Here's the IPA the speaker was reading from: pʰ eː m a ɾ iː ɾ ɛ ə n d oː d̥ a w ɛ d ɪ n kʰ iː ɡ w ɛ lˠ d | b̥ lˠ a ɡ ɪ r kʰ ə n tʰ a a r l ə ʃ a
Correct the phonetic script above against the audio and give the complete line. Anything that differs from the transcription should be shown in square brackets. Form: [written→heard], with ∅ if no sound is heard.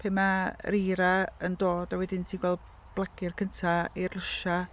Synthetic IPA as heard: pʰ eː m a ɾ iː ɾ [ɛ→a] ə n d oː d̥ a w ɛ d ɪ n [kʰ→tʰ] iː ɡ w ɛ lˠ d | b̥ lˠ a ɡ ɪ r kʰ ə n tʰ a [a→i] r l ə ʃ a

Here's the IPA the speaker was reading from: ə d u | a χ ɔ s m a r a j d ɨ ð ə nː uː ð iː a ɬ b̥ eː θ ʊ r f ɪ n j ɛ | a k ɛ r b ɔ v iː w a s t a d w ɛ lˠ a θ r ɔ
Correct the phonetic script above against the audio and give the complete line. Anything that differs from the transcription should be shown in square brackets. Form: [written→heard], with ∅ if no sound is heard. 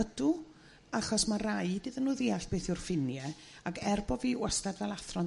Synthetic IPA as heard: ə d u | a χ ɔ s m a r a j d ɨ ð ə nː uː ð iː a ɬ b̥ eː θ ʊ r f ɪ n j ɛ | a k ɛ r b ɔ v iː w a s t a d [w→v] ɛ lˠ a θ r ɔ

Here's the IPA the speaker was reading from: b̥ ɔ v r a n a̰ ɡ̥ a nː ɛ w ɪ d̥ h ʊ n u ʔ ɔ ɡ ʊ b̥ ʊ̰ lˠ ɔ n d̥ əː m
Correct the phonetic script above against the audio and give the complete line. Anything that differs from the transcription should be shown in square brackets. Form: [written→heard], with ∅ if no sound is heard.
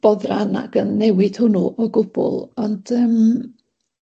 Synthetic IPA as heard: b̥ ɔ [v→ð] r a n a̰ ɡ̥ [a→ə] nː ɛ w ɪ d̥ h ʊ n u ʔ ɔ ɡ ʊ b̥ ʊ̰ lˠ ɔ n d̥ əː m

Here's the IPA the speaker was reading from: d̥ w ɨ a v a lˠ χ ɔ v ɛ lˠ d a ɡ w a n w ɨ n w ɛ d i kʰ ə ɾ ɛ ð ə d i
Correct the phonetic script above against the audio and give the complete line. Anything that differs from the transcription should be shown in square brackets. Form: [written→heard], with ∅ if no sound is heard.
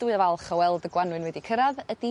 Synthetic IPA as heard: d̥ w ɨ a v a lˠ χ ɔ [v→w] ɛ lˠ d [a→ə] ɡ w a n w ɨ n w ɛ d i kʰ ə ɾ [ɛ→a] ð ə d i

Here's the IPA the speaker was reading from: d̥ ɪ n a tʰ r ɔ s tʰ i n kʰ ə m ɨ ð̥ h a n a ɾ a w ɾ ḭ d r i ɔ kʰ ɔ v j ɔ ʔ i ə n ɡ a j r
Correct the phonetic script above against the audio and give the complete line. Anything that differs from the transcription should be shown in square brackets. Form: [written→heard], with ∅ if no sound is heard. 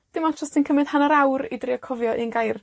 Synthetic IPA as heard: d̥ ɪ [n→m] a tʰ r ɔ s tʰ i n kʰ ə m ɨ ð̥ h a n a ɾ a w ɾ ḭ d r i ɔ kʰ ɔ v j ɔ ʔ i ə n ɡ a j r

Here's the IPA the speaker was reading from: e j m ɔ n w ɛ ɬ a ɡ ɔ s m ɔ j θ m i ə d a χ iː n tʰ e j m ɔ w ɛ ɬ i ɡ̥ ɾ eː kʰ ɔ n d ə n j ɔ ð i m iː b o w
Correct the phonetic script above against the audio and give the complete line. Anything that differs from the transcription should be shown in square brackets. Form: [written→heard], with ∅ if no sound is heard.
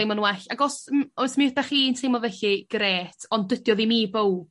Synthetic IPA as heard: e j m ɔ n w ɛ ɬ a ɡ ɔ s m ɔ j [θ→s] m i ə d a χ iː n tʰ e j m ɔ [w→v] ɛ ɬ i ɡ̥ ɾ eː [kʰ→tʰ] ɔ n d ə [n→d] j ɔ ð i m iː b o w

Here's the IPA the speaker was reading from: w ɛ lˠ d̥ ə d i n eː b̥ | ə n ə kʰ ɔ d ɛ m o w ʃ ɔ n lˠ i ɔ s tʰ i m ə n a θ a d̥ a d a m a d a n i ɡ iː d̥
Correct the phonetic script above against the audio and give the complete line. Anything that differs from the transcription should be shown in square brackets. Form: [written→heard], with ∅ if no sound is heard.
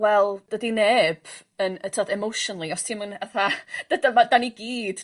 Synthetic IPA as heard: w ɛ lˠ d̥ ə d i n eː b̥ | ə n ə [kʰ→tʰ] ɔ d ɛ m o w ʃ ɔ n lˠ i ɔ s tʰ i m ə n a θ a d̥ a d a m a d a n i ɡ iː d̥

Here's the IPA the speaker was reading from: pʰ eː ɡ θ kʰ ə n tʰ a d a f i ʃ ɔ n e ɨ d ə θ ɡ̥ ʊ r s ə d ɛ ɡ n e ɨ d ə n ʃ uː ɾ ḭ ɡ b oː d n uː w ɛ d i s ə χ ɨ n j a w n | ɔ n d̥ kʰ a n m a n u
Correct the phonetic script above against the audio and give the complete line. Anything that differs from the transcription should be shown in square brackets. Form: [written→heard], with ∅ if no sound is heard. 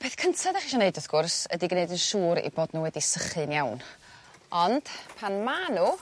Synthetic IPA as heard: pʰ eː [ɡ→∅] θ kʰ ə n tʰ a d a [f→χ] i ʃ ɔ n e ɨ d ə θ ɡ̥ ʊ r s ə d [ɛ→i] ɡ n e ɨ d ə n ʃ uː ɾ ḭ [ɡ→∅] b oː d n uː w ɛ d i s ə χ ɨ n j a w n | ɔ n d̥ [kʰ→pʰ] a n m a n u

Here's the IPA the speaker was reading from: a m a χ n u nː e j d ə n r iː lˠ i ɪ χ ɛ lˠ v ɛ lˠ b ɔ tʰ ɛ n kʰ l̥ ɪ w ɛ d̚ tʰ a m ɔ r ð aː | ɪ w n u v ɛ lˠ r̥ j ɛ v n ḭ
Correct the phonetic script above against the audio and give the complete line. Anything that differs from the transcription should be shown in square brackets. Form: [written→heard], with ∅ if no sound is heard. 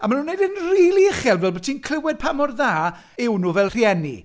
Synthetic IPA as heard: a m a [χ→∅] n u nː e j d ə n r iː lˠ i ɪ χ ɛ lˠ v ɛ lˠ b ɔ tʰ [ɛ→i] n kʰ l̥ ɪ w ɛ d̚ [tʰ→pʰ] a m ɔ r ð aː | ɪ w n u v ɛ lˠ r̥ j ɛ [v→∅] n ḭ

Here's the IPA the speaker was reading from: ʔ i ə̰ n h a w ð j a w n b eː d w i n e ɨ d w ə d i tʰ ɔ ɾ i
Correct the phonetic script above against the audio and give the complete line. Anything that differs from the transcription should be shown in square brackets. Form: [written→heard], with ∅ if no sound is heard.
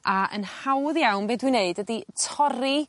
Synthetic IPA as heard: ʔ [i→a] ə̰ n h a w ð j a w n b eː d w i n e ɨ d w ə d i tʰ ɔ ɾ i

